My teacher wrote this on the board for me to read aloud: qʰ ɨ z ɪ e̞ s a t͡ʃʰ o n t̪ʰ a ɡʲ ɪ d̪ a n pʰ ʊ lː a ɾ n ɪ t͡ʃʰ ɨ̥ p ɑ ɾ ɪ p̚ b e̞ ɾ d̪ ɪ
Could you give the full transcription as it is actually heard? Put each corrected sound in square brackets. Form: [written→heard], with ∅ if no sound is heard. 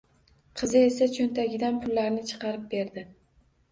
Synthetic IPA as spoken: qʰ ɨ z ɪ e̞ s a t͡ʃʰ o n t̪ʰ a ɡʲ ɪ d̪ a n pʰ ʊ lː a ɾ n ɪ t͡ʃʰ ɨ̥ [p→q] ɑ ɾ ɪ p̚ b e̞ ɾ d̪ ɪ